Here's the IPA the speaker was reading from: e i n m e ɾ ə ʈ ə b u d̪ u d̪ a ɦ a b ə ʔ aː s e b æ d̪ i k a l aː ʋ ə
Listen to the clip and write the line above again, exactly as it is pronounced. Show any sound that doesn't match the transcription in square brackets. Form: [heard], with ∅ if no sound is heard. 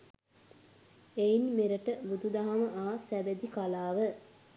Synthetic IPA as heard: e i n m e ɾ ə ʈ ə b u d̪ u d̪ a ɦ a [m] ə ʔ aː s [æ] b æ d̪ i k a l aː ʋ ə